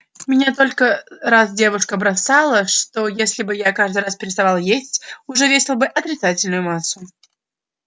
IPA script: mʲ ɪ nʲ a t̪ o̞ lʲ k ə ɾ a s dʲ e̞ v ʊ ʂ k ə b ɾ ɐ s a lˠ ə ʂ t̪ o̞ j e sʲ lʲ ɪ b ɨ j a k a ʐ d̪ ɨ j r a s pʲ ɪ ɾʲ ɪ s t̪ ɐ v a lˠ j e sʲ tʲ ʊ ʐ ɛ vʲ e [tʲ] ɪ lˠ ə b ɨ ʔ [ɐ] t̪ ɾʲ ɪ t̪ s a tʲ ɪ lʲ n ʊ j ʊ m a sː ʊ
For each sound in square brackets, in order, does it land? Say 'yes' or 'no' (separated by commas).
no, yes